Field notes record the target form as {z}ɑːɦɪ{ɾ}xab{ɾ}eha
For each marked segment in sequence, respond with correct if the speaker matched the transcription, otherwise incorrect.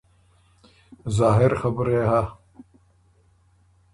correct, correct, correct

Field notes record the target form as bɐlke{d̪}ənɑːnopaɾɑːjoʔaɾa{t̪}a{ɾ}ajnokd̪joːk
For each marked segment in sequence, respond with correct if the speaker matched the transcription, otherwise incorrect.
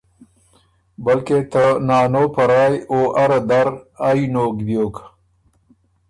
incorrect: t̪, incorrect: d̪, correct

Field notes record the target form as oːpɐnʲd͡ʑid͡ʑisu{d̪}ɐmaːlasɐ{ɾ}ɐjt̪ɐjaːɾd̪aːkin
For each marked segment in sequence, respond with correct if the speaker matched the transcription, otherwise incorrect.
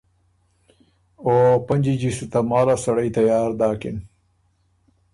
incorrect: t̪, incorrect: ɽ

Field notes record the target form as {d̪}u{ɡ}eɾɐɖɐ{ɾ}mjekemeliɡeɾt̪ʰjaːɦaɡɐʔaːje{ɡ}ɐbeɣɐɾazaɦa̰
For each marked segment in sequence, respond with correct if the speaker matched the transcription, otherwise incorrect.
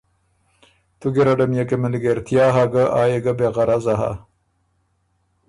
incorrect: t̪, correct, incorrect: none, correct

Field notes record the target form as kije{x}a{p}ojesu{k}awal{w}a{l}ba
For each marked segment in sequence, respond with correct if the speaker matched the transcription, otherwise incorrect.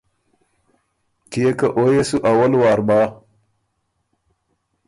incorrect: k, incorrect: ʔ, incorrect: ʔ, correct, incorrect: ɾ

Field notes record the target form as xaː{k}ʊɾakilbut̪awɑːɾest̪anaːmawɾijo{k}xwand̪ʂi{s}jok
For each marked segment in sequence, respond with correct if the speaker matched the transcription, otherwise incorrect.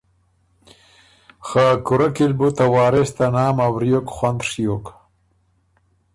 correct, correct, incorrect: none

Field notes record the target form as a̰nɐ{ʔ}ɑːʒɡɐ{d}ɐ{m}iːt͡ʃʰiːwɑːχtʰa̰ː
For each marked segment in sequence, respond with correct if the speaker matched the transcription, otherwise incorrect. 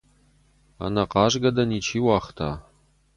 incorrect: q, correct, incorrect: n

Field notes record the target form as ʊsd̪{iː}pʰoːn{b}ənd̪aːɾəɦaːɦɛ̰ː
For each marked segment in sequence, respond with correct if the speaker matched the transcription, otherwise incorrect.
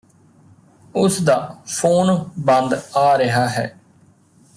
incorrect: aː, correct

